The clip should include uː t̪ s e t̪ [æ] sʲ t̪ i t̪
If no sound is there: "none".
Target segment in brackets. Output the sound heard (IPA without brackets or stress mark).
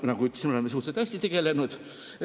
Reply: æ